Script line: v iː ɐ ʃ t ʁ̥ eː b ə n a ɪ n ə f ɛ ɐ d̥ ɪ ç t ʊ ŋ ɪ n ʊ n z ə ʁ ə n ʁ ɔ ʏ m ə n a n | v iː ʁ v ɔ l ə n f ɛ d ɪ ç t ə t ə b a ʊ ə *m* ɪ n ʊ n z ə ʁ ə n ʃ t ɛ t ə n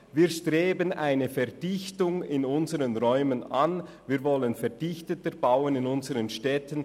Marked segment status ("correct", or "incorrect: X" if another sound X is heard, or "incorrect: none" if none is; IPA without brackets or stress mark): incorrect: n